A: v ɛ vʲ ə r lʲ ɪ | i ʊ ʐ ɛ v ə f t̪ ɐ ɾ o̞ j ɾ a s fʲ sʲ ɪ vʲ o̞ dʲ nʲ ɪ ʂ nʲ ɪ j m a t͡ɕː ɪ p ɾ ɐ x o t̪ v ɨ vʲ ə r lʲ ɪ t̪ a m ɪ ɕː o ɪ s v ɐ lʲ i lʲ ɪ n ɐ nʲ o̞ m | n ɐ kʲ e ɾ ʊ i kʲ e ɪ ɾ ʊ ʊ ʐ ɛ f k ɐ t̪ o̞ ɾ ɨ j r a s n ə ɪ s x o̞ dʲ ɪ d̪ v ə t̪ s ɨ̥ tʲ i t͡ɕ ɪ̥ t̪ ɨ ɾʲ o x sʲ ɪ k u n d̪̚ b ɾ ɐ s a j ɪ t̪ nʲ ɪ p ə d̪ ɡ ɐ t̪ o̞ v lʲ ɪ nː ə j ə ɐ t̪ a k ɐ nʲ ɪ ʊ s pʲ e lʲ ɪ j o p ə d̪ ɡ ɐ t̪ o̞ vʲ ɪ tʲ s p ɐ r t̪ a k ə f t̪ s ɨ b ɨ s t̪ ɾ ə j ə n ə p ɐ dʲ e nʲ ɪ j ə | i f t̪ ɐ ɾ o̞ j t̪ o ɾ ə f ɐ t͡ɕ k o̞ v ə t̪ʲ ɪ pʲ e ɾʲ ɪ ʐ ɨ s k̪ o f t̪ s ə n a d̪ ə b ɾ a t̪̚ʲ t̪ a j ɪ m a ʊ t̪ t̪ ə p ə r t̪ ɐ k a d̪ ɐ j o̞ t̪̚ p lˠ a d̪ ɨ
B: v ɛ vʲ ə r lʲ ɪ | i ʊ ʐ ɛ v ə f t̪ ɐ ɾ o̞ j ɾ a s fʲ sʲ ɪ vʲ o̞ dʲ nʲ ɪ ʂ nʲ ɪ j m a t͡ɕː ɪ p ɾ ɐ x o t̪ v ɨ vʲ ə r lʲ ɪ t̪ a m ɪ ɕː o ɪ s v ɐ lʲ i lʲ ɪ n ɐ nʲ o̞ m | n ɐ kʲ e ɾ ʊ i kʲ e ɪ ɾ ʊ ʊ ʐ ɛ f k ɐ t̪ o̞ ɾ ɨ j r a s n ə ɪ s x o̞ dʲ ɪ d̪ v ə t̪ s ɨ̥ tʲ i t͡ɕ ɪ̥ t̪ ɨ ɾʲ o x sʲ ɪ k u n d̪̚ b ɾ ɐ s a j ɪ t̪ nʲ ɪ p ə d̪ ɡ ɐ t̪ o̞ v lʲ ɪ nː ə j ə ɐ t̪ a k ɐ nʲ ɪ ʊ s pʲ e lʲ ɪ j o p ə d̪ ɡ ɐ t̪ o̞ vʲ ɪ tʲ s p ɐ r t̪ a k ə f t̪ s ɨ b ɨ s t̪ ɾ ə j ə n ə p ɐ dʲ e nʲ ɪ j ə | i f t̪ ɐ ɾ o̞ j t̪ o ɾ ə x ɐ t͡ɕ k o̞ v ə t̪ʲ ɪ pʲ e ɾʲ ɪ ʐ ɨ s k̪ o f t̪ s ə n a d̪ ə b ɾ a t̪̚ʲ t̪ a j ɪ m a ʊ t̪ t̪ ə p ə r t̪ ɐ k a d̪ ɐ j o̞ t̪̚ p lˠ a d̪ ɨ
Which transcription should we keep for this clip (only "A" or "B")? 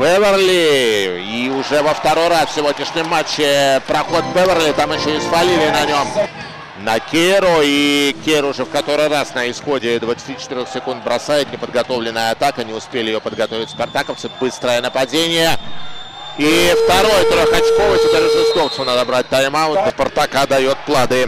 B